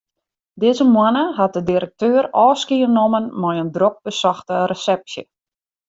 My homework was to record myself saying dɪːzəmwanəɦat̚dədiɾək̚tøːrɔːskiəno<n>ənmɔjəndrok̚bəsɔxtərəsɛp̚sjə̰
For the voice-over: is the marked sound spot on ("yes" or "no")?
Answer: no